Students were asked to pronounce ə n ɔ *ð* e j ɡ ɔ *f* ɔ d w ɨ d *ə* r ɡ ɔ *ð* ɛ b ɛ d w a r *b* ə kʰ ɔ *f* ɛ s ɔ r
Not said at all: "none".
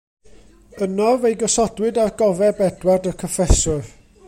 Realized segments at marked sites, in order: v, s, a, v, d, f

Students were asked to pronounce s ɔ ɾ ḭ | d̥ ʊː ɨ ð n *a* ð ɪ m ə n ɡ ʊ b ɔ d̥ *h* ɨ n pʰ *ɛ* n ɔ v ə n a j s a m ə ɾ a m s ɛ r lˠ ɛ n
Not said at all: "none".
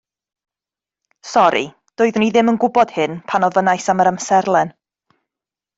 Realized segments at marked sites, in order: i, h, a

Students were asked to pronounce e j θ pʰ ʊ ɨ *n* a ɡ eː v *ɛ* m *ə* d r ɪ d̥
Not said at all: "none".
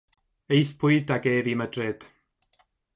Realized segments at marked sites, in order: d, i, ə

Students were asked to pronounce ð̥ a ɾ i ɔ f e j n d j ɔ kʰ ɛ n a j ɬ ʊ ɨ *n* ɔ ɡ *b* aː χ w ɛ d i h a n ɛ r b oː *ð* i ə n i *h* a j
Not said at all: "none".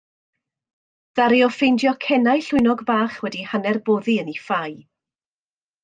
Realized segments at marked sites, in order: n, b, ð, f

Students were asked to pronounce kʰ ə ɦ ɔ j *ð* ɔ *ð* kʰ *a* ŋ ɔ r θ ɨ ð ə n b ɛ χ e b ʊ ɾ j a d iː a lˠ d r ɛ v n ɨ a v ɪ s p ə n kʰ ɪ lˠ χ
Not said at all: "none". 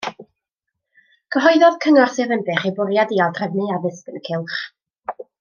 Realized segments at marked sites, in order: ð, ð, ə

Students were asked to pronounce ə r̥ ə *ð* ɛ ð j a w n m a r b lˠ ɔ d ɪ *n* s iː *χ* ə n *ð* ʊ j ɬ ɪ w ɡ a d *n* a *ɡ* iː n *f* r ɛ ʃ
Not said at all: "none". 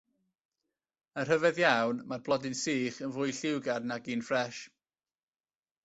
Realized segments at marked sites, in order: v, n, χ, v, n, ɡ, f

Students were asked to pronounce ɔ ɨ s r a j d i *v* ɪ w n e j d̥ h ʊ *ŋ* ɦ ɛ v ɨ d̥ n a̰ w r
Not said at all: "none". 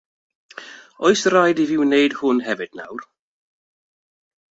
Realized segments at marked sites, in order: v, n

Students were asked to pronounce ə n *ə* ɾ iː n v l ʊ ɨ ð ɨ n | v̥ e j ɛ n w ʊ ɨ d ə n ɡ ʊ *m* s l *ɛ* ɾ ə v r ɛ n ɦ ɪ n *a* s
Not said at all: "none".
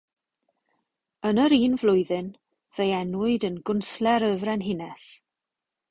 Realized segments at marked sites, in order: ə, n, ɛ, ɛ

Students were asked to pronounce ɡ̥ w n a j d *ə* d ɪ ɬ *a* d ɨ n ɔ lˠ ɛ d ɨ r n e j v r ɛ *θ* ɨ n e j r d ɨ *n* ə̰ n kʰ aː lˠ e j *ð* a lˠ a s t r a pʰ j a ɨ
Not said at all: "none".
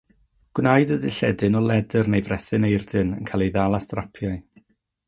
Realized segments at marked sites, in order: ə, ɛ, θ, n, ð

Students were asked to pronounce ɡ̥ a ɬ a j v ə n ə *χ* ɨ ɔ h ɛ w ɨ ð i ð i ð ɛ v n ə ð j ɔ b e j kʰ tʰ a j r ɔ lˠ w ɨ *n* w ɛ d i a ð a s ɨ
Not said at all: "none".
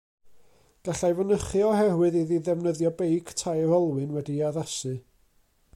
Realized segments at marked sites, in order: χ, n

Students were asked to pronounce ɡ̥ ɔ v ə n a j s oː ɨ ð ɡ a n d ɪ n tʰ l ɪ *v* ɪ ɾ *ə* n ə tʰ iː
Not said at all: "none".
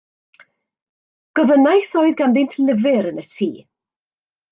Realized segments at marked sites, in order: v, ə

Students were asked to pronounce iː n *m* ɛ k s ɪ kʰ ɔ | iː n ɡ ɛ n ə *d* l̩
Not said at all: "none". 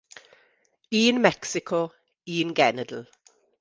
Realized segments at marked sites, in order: m, d

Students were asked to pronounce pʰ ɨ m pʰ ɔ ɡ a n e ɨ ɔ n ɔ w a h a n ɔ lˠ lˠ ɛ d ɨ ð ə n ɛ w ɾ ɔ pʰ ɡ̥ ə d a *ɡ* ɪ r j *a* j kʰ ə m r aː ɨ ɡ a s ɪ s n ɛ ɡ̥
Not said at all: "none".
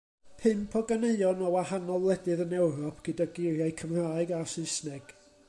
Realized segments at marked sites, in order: ɡ, a

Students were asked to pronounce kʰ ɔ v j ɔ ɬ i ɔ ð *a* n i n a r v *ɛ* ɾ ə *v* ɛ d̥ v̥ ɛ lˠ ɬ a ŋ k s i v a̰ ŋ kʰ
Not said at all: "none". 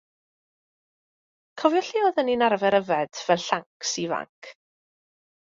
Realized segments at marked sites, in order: ə, ɛ, v

